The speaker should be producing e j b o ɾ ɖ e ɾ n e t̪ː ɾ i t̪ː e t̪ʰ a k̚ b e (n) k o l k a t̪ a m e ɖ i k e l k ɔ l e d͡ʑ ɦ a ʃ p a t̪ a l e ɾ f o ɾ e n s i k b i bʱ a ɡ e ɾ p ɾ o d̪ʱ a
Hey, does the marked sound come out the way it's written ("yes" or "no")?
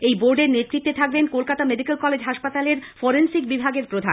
yes